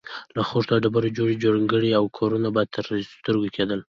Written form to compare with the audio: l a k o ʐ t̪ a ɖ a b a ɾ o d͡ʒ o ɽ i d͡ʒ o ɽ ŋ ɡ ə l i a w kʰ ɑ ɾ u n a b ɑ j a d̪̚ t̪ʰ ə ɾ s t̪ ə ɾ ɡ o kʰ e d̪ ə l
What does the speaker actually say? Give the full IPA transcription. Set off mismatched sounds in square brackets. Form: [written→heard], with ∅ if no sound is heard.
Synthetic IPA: l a [k→x] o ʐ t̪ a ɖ a b a ɾ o d͡ʒ o ɽ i d͡ʒ o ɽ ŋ ɡ ə [l→ɽ] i a w kʰ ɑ ɾ u n a b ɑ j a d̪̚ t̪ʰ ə ɾ s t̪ ə ɾ ɡ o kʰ e d̪ ə l